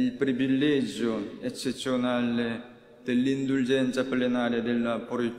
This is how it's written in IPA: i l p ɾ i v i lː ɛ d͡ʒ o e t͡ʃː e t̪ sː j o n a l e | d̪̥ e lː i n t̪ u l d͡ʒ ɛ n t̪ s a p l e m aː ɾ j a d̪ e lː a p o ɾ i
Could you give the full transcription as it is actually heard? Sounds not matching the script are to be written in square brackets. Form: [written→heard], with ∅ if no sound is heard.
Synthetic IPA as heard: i l p ɾ i v i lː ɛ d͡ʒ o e t͡ʃː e t̪ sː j o n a l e | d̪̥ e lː i n [t̪→d̪] u l d͡ʒ ɛ n t̪ s a p l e [m→n] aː ɾ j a d̪ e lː a p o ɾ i